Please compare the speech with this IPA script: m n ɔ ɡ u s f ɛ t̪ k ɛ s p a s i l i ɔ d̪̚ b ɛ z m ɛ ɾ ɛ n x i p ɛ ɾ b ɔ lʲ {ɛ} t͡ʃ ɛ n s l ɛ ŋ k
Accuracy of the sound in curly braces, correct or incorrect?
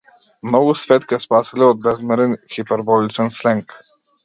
incorrect